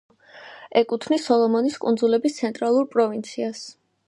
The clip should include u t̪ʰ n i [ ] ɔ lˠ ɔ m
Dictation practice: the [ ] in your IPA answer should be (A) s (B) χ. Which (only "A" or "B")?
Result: A